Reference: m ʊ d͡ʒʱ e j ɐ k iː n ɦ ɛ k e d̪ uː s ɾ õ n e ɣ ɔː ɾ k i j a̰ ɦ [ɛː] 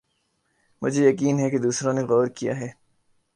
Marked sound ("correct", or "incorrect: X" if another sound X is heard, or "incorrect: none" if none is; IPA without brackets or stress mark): correct